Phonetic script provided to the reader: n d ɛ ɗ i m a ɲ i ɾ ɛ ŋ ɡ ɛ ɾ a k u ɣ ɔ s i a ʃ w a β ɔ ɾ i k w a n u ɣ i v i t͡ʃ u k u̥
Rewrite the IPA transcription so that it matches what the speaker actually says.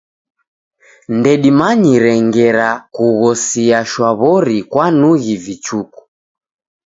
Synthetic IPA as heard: n d ɛ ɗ i m a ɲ i ɾ ɛ ŋ ɡ ɛ ɾ a k u ɣ ɔ s i a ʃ w a β ɔ ɾ i k w a n u ɣ i v i t͡ʃ u k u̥